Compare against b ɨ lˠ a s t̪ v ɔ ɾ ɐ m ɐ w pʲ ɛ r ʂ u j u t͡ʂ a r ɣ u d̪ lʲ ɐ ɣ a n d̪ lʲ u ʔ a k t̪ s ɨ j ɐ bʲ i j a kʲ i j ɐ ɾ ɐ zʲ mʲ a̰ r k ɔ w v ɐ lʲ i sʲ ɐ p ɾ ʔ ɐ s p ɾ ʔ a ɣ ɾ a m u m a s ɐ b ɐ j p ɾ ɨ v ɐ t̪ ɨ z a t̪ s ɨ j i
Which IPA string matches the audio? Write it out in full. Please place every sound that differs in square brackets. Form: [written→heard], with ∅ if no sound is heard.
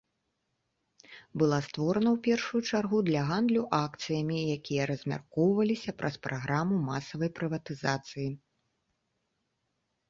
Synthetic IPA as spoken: b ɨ lˠ a s t̪ v ɔ ɾ ɐ [m→n] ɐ w pʲ ɛ r ʂ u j u t͡ʂ a r ɣ u d̪ lʲ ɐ ɣ a n d̪ lʲ u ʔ a k t̪ s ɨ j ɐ [bʲ→mʲ] i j a kʲ i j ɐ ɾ ɐ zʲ mʲ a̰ r k ɔ w v ɐ lʲ i sʲ ɐ p ɾ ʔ ɐ s p ɾ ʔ a ɣ ɾ a m u m a s ɐ [b→v] ɐ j p ɾ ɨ v ɐ t̪ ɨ z a t̪ s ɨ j i